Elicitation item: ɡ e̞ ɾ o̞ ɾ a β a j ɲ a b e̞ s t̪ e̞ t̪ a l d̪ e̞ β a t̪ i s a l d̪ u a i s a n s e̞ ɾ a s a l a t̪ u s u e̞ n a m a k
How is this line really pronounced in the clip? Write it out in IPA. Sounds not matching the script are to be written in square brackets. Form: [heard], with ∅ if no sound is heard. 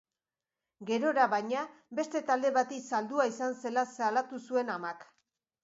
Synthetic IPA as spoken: ɡ e̞ ɾ o̞ ɾ a β a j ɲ a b e̞ s t̪ e̞ t̪ a l d̪ e̞ β a t̪ i s a l d̪ u a i s a n s e̞ [l] a s a l a t̪ u s u e̞ n a m a k